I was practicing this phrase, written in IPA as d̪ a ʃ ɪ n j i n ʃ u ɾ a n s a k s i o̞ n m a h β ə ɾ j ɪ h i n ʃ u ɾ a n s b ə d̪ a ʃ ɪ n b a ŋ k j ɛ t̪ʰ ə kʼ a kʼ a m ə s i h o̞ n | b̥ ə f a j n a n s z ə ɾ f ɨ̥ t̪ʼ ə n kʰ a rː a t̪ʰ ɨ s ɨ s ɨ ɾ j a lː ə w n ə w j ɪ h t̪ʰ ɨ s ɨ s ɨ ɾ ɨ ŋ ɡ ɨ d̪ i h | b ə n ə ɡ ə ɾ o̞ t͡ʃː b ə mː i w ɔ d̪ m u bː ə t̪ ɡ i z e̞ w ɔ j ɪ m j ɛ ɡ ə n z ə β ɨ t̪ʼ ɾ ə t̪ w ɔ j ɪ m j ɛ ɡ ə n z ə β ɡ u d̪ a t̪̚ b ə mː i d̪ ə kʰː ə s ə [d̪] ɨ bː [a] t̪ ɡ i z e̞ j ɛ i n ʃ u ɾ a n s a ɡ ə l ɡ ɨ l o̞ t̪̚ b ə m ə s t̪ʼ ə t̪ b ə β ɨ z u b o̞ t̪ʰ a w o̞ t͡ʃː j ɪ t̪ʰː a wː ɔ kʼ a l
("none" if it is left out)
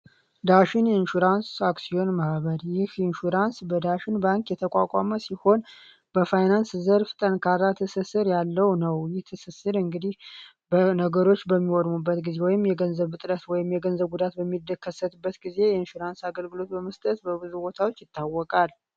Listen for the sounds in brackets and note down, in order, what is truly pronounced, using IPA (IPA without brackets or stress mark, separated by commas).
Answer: t̪, ə